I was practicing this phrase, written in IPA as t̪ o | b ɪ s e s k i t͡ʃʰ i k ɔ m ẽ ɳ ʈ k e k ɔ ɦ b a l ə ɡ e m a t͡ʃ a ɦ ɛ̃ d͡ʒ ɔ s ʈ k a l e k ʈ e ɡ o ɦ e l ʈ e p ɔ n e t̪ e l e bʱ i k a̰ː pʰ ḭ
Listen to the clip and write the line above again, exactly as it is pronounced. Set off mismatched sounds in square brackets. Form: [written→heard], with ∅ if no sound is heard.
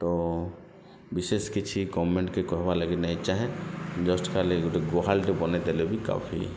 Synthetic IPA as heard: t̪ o | b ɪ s e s k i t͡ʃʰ i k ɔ m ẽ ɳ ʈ k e k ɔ ɦ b a l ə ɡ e [m→n] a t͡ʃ a ɦ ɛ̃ d͡ʒ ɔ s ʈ k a l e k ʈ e ɡ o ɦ [e→a] l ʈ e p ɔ n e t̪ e l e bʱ i k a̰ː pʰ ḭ